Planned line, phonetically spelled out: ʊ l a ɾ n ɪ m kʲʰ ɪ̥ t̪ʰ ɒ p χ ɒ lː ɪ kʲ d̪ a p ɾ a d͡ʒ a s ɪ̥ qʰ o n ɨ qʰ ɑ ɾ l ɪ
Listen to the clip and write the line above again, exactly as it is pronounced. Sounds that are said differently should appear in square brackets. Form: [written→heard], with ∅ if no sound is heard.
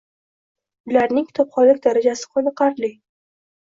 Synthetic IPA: ʊ l a ɾ n ɪ [m→ŋ] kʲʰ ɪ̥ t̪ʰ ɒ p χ ɒ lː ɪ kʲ d̪ a [p→∅] ɾ a d͡ʒ a s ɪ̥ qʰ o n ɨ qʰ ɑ ɾ l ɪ